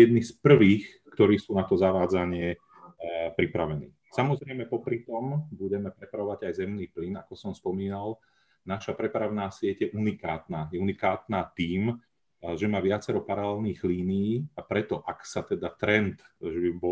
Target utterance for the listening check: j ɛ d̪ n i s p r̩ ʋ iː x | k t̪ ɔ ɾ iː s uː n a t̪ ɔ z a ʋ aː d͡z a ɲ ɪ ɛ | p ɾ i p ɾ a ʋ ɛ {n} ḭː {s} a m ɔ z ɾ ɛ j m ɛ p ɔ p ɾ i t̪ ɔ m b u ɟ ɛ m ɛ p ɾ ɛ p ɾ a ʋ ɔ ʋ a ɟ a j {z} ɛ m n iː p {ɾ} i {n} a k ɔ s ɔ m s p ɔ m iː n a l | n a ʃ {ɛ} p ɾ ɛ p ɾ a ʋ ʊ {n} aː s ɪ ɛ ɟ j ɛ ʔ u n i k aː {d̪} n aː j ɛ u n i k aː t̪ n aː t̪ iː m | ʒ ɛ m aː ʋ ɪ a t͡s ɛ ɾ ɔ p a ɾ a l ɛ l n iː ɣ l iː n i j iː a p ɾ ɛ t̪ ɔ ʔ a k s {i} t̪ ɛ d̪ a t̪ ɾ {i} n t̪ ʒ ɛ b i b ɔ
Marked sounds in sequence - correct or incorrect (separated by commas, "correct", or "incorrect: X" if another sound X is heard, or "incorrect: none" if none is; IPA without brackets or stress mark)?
correct, correct, correct, incorrect: l, correct, incorrect: a, correct, incorrect: t̪, incorrect: a, incorrect: ɛ